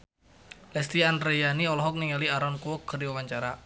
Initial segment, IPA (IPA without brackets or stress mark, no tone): l